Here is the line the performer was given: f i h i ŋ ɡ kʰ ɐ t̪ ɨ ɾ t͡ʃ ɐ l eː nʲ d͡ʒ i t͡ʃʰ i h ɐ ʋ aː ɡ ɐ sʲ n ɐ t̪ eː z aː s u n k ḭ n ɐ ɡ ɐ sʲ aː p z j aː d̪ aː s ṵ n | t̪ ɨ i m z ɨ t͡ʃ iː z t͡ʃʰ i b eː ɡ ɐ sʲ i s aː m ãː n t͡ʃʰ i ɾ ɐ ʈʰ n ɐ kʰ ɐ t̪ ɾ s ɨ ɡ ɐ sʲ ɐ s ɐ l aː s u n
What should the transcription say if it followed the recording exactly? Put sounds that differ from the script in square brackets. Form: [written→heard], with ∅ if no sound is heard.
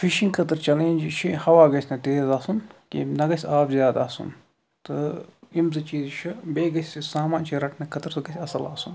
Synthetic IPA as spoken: f i [h→ʃ] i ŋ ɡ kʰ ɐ t̪ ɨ ɾ t͡ʃ ɐ l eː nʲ d͡ʒ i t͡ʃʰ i h ɐ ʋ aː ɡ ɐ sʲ n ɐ t̪ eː z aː s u n k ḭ n ɐ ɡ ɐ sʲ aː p z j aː d̪ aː s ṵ n | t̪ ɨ i m z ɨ t͡ʃ iː z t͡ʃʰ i b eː ɡ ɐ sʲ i s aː m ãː n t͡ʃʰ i ɾ ɐ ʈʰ n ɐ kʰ ɐ t̪ ɾ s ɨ ɡ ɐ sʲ ɐ s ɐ l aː s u n

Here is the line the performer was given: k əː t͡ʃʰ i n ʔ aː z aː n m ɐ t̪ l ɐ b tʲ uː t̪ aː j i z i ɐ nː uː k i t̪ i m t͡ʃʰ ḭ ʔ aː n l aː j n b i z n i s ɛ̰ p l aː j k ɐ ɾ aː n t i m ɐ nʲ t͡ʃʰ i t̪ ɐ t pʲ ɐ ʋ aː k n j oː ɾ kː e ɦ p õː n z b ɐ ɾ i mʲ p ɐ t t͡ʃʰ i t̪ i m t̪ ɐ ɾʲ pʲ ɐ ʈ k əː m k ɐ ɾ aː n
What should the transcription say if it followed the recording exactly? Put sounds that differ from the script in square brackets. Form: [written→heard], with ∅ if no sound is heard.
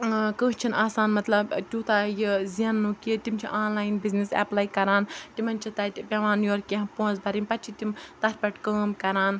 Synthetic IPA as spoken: k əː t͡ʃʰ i n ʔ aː [z→s] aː n m ɐ t̪ l ɐ b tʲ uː t̪ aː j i z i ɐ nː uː k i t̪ i m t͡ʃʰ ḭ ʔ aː n l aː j n b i z n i s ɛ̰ p l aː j k ɐ ɾ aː n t i m ɐ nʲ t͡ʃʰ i t̪ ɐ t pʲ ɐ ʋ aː [k→∅] n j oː ɾ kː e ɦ p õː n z b ɐ ɾ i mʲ p ɐ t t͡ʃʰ i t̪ i m t̪ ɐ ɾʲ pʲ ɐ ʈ k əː m k ɐ ɾ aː n

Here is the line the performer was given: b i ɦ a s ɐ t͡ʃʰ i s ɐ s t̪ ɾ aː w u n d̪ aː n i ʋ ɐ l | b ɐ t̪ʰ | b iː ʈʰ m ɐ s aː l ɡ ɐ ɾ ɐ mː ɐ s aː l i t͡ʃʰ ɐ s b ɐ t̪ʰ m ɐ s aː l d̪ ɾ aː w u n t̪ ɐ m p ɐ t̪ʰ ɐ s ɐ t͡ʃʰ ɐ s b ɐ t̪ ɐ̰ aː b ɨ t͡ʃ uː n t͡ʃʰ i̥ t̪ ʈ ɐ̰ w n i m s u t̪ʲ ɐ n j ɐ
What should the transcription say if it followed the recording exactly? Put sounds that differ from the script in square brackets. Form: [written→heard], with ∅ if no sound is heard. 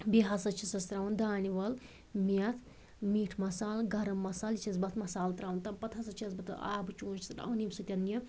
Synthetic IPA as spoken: b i ɦ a s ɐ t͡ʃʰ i s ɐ s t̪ ɾ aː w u n d̪ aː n i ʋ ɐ l | [b→m] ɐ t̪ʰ | [b→m] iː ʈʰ m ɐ s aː l ɡ ɐ ɾ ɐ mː ɐ s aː l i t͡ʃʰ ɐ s b ɐ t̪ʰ m ɐ s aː l [d̪→t̪] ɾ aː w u n t̪ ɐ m p ɐ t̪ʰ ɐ s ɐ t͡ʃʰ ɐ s b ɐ t̪ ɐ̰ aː b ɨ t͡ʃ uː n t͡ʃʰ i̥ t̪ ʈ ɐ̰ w n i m s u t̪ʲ ɐ n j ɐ

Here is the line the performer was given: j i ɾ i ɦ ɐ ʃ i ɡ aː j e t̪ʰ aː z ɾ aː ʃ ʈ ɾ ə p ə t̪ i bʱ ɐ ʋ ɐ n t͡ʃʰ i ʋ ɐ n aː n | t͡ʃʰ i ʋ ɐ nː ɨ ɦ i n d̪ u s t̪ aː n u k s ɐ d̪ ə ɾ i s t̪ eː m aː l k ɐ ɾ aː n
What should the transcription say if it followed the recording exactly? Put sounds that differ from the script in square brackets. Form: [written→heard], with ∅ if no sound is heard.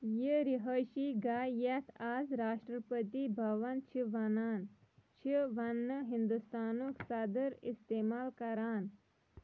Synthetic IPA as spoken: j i ɾ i ɦ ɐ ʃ i ɡ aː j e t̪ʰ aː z ɾ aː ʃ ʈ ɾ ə p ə t̪ i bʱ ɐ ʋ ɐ n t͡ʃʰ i ʋ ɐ n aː n | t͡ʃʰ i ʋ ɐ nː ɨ ɦ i n d̪ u s t̪ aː n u k s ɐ d̪ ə ɾ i s t̪ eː m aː l k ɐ ɾ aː n

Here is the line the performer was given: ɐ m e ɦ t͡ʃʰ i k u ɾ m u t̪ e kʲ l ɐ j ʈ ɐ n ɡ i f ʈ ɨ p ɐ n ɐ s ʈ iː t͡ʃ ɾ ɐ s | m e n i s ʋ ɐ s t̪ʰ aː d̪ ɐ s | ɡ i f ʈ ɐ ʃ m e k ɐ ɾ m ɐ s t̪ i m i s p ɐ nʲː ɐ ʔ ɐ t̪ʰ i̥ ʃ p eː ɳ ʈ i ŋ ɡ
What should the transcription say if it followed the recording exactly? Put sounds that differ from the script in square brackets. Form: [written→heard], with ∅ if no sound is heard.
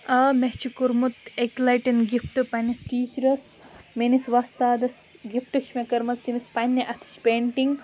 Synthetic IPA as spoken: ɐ m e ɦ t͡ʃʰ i k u ɾ m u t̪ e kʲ l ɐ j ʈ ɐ n ɡ i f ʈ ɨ p ɐ n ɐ s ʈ iː t͡ʃ ɾ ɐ s | m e n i s ʋ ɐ s [t̪ʰ→t̪] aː d̪ ɐ s | ɡ i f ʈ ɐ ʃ m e k ɐ ɾ m ɐ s t̪ i m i s p ɐ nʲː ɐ ʔ ɐ t̪ʰ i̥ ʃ p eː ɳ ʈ i ŋ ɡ

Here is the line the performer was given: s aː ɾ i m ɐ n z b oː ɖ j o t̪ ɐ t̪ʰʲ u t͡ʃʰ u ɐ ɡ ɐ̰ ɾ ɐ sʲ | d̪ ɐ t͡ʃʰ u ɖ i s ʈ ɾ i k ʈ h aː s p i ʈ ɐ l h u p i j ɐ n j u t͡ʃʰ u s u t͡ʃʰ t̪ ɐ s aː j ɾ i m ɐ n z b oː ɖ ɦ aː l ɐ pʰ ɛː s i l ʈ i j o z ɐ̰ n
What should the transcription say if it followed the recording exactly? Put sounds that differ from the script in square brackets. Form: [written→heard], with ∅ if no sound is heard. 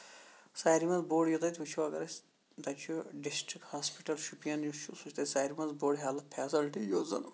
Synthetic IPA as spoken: s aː ɾ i m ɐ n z b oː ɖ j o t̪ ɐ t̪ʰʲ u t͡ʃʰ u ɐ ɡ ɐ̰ ɾ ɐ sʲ | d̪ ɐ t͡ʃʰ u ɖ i s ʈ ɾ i k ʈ h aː s p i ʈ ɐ l [h→ʃ] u p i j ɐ n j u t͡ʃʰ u s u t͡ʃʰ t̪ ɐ s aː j ɾ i m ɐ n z b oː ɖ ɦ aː l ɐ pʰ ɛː s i l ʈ i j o z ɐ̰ n

